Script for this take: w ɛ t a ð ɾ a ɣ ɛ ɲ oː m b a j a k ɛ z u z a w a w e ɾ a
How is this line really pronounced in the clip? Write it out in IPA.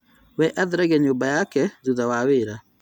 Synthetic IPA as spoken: w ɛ ʔ a ð ɾ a ɣ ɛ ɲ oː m b a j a k ɛ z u ð a w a w e ɾ a